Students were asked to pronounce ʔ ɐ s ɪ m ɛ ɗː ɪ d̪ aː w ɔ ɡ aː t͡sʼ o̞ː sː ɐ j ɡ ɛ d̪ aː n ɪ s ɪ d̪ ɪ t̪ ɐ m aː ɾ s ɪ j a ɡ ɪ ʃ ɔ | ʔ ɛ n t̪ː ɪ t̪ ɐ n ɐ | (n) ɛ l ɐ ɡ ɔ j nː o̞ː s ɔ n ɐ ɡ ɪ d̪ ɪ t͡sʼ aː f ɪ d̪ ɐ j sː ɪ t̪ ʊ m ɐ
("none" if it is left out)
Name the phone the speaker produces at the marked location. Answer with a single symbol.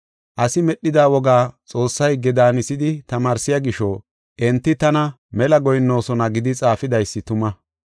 m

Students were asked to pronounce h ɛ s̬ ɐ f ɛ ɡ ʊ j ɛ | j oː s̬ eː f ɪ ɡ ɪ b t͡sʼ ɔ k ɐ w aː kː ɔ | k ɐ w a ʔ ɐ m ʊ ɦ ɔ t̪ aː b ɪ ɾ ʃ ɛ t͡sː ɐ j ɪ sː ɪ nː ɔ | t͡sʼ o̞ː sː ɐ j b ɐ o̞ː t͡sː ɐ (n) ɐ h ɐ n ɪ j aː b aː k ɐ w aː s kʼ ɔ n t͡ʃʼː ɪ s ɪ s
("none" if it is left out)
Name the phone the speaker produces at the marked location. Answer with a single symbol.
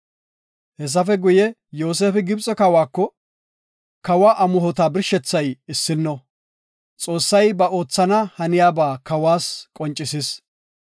n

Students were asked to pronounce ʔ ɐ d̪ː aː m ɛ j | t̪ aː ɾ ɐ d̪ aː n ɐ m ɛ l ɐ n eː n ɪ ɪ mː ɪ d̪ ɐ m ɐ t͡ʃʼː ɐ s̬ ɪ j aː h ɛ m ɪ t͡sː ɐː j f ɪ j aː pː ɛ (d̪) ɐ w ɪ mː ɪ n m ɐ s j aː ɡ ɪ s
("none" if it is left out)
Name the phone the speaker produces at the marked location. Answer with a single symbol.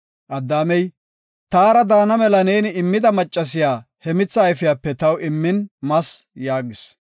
t̪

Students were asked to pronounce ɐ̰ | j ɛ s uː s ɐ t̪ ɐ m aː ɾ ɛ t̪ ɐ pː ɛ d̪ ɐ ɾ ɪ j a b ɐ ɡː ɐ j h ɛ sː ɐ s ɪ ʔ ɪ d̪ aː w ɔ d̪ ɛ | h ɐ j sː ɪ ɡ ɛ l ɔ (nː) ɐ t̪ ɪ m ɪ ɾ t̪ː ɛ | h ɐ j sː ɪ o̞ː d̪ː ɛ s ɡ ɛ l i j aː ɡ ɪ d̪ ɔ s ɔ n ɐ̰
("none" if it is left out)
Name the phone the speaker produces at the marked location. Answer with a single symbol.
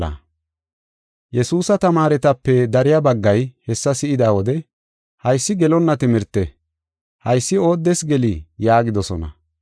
nː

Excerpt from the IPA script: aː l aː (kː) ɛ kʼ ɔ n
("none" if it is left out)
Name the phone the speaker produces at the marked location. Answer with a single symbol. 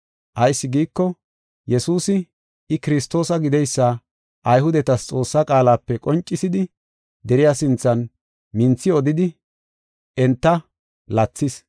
pː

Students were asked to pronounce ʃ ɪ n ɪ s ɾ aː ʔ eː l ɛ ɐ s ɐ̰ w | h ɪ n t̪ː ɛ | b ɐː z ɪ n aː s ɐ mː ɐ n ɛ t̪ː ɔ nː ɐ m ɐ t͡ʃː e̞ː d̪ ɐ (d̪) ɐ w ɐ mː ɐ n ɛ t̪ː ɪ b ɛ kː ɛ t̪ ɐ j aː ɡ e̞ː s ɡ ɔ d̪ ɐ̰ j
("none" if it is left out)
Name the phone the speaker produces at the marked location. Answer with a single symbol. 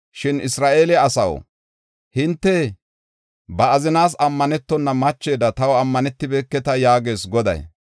t̪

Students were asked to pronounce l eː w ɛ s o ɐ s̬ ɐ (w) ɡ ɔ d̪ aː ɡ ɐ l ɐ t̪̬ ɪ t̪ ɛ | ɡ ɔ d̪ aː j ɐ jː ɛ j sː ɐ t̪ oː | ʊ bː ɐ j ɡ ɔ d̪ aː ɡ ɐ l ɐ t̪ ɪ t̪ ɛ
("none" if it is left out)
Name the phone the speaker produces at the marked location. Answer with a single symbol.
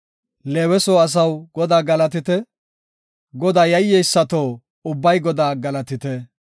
w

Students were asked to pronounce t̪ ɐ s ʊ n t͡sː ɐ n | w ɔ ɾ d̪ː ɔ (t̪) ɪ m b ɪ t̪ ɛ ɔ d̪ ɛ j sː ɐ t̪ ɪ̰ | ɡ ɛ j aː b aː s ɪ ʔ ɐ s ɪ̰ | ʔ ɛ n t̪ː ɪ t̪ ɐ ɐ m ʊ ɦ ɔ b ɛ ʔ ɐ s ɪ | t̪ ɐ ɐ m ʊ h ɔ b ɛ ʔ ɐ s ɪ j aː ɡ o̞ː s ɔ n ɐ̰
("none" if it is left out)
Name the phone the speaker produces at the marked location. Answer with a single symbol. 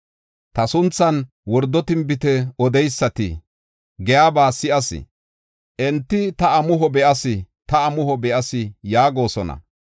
t̪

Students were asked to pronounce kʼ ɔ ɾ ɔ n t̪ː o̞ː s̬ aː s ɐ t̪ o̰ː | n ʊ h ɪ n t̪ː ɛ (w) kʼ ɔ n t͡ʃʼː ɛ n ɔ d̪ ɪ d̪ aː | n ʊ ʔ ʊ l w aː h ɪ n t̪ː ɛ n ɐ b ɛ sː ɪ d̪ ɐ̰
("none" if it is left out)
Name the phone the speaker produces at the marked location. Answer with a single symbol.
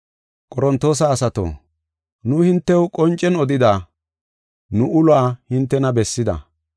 w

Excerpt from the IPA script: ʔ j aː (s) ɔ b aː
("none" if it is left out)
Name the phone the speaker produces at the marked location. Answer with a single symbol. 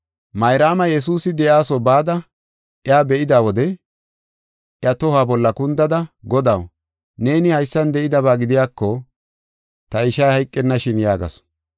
s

